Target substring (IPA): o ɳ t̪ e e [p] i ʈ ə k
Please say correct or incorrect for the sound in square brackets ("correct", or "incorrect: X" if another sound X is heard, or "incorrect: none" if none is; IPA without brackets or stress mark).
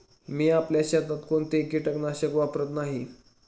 incorrect: k